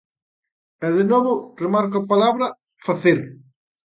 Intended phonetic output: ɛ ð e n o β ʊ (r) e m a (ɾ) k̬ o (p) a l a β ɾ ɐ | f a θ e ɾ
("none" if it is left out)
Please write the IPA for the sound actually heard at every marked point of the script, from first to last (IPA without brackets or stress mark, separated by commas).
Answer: r, ɾ, p